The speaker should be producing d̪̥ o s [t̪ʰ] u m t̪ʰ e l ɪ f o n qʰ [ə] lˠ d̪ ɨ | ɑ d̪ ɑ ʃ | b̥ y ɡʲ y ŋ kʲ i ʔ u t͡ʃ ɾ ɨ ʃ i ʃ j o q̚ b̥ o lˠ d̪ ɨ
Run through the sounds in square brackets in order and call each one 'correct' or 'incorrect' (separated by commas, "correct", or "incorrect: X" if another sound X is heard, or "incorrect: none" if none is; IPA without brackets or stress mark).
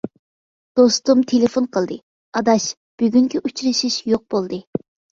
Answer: incorrect: t̪, correct